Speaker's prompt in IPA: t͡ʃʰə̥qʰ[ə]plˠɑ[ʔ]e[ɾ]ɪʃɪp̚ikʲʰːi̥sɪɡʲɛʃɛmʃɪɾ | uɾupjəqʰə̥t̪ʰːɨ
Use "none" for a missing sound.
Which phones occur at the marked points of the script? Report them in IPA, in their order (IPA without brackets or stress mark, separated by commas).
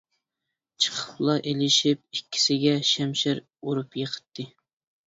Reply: ə, ʔ, l